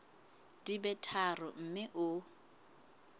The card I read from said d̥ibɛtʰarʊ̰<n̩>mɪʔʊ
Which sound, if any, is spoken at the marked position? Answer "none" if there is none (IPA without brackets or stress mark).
m̩